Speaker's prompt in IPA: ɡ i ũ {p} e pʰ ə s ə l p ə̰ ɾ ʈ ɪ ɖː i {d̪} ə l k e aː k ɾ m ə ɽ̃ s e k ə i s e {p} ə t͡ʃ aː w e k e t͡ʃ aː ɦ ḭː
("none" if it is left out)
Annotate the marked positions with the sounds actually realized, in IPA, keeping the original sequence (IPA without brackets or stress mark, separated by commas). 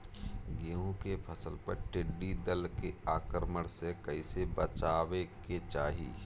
k, d̪, b